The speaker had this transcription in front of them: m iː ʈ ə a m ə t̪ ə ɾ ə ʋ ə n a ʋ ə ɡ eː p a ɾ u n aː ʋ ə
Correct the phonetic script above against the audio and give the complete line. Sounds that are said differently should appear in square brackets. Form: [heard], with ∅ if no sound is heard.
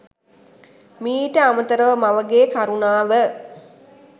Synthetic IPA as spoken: m iː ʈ ə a m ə t̪ ə ɾ ə ʋ ə [m] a ʋ ə ɡ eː [k] a ɾ u n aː ʋ ə